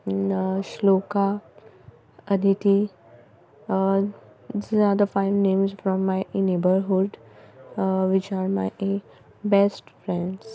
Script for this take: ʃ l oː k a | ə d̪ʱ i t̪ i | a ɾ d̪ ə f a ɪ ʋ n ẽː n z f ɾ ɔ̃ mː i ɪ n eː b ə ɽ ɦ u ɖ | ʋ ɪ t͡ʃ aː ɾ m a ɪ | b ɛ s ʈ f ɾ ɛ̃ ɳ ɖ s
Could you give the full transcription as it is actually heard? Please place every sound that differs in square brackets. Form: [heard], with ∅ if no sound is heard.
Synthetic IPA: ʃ l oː k a | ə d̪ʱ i t̪ i | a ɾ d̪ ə f a ɪ ʋ n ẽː [m] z f ɾ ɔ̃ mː [a] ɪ n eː b ə [ɾ] ɦ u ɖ | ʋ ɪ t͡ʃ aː ɾ m a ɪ | b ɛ s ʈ f ɾ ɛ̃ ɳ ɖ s

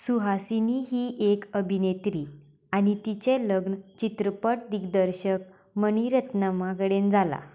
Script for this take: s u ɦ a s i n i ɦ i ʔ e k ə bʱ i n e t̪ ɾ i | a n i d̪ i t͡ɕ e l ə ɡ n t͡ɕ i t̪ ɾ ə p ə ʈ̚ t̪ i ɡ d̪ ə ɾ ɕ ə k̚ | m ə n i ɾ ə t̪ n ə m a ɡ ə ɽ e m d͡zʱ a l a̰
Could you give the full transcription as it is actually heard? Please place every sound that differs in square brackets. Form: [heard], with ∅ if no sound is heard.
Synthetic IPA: s u ɦ a s i n i ɦ i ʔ e k ə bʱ i n e t̪ ɾ i | a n i [t̪] i t͡ɕ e l ə ɡ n t͡ɕ i t̪ ɾ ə p ə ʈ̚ [d̪] i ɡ d̪ ə ɾ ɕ ə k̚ | m ə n i ɾ ə t̪ n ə m a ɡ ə ɽ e [n] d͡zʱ a l a̰

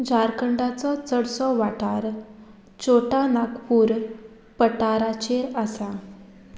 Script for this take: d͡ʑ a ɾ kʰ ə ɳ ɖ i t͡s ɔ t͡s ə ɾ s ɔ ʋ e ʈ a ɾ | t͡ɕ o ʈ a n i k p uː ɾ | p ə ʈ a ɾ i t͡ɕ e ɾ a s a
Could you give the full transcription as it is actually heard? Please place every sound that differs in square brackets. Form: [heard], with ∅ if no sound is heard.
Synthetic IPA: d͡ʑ a ɾ [k] ə ɳ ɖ [a] t͡s ɔ t͡s ə [ɽ] s ɔ ʋ [a] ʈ a ɾ | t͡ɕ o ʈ a n [a] k p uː ɾ | p ə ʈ a ɾ [a] t͡ɕ e ɾ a s a

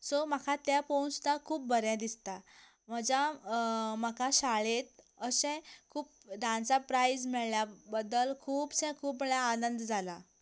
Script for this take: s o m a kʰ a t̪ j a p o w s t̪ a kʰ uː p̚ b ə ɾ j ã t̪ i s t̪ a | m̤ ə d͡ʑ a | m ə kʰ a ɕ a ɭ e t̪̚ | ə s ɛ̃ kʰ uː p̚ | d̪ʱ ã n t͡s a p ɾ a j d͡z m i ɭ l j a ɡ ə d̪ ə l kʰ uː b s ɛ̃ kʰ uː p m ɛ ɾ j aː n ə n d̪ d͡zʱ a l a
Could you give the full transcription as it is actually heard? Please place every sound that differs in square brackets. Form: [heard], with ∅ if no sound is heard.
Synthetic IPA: s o m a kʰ a t̪ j a p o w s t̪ a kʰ uː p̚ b ə ɾ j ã [d̪] i s t̪ a | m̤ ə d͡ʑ a | m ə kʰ a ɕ a ɭ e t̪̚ | ə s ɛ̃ kʰ uː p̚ | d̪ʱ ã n t͡s a p ɾ a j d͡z m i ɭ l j a [b] ə d̪ ə l kʰ uː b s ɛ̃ kʰ uː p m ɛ [ɭ] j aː n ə n d̪ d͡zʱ a l a

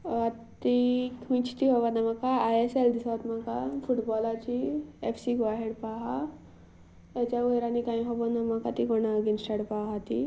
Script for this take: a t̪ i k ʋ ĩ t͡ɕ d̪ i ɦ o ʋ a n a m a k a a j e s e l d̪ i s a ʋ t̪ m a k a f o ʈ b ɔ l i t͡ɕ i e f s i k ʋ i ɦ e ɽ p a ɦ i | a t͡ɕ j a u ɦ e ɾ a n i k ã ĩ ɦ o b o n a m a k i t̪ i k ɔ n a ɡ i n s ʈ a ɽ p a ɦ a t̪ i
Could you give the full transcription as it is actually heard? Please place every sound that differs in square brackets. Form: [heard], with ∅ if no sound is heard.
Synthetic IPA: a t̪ i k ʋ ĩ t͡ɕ [t̪] i ɦ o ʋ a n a m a k a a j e s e l d̪ i s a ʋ t̪ m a k a f [u] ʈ b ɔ l [a] t͡ɕ i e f s i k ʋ [a] ɦ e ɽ p a ɦ [a] | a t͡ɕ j a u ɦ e ɾ a n i k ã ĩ ɦ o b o n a m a k [a] t̪ i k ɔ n a ɡ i n s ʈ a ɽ p a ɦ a t̪ i

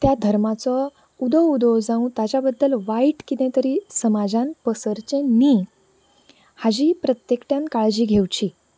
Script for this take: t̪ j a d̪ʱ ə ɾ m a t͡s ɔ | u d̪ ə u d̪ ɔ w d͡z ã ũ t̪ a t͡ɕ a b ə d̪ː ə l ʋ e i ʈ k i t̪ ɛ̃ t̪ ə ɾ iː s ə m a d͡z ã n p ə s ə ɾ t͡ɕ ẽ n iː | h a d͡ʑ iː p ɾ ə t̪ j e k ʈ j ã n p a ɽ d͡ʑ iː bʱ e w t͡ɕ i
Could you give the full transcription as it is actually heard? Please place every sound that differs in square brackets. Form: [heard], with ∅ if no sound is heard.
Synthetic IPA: t̪ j a d̪ʱ ə ɾ m a t͡s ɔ | u d̪ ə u d̪ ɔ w d͡z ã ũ t̪ a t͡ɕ a b ə d̪ː ə l ʋ [a] i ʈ k i t̪ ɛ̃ t̪ ə ɾ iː s ə m a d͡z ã n p ə s ə ɾ t͡ɕ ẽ n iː | h a d͡ʑ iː p ɾ ə t̪ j e k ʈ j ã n [k] a [ɭ] d͡ʑ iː [ɡʱ] e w t͡ɕ i

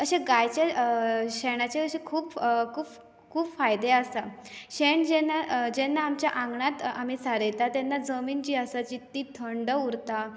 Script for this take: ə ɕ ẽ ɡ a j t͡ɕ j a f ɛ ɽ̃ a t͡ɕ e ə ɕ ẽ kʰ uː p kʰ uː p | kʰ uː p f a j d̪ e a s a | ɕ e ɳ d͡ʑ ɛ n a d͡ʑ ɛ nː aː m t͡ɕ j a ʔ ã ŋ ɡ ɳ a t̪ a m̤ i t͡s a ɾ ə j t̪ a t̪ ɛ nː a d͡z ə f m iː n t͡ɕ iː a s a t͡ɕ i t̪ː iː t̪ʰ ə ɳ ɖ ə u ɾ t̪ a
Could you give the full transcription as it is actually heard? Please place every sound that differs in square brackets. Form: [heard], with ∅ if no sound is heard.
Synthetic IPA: ə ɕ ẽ ɡ a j t͡ɕ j a [ɕ] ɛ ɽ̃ a t͡ɕ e ə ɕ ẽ kʰ uː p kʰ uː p | kʰ uː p f a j d̪ e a s a | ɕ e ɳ d͡ʑ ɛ n a d͡ʑ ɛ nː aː m t͡ɕ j a ʔ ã ŋ ɡ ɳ a t̪ a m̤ i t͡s a ɾ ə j t̪ a t̪ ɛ nː a d͡z ə [∅] m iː n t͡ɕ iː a s a t͡ɕ i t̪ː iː t̪ʰ ə ɳ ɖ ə u ɾ t̪ a

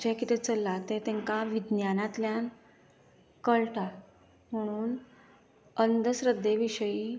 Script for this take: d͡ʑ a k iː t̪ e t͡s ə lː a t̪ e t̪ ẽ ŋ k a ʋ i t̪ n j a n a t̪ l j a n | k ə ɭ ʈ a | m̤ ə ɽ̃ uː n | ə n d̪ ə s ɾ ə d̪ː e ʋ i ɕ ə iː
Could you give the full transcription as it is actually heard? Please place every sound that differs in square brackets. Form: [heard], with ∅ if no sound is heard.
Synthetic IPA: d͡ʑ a k [i] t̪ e t͡s ə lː a t̪ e t̪ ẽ ŋ k a ʋ i [d̪] n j a n a t̪ l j a n | k ə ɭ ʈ a | m̤ ə ɽ̃ uː n | ə n d̪ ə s ɾ ə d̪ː e ʋ i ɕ ə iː

